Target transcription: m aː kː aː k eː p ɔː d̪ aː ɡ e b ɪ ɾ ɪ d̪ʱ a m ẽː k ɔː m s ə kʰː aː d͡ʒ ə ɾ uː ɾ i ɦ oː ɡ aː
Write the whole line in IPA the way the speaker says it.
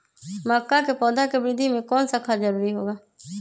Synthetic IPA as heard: m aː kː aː k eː p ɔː d̪ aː k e b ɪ ɾ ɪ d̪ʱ i m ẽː k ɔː n s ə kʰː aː d͡ʒ ə ɾ uː ɾ i ɦ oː ɡ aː